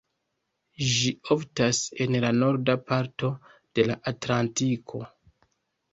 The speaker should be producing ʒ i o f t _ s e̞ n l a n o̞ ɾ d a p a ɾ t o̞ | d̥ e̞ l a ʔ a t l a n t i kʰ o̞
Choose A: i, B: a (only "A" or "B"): B